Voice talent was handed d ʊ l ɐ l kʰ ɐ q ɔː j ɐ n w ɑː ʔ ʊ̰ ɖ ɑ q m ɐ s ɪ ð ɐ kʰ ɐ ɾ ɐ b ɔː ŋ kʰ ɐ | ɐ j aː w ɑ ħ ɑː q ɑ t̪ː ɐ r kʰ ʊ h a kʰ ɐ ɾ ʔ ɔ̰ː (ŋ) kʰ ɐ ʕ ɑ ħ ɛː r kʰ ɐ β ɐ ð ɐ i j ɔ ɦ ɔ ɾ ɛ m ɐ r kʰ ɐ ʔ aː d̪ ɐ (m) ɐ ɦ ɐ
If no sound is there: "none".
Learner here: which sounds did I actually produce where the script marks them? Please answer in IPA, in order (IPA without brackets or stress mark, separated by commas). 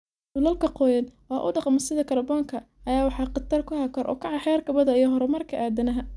none, n